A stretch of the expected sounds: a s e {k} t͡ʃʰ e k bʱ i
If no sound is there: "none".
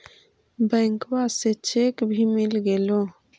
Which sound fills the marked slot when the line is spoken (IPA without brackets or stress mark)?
none